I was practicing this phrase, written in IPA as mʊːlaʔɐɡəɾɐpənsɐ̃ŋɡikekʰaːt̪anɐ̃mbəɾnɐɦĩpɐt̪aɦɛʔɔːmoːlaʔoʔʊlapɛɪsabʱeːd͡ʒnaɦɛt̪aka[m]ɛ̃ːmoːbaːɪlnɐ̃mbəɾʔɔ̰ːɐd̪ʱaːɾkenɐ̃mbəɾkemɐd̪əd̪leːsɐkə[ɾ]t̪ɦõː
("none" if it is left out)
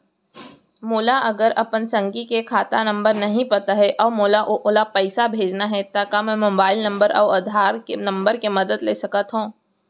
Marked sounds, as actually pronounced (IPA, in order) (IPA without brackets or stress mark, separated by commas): m, none